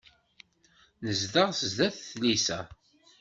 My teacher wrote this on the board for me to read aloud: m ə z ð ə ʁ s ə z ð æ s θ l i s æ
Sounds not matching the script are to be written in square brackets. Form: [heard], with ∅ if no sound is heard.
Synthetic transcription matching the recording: [n] ə z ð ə ʁ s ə z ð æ [θ] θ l i s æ